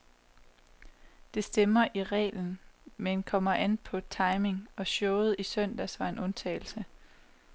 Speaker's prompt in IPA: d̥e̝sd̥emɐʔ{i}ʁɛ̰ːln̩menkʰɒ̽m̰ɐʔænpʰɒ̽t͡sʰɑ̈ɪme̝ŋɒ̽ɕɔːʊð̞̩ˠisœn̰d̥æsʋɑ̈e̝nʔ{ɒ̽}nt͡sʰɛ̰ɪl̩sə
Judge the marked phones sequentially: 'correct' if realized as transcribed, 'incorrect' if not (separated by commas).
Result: correct, incorrect